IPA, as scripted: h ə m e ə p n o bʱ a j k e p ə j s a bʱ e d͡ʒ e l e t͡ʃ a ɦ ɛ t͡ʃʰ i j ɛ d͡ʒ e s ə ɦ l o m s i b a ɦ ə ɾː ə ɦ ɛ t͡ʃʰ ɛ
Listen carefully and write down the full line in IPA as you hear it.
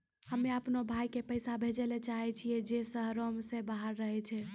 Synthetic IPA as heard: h ə m e ə p n o bʱ a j k e p ə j s a bʱ e d͡ʒ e l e t͡ʃ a ɦ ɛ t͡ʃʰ i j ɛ d͡ʒ e s ə ɦ ɾ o m s e b a ɦ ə ɾː ə ɦ ɛ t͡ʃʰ ɛ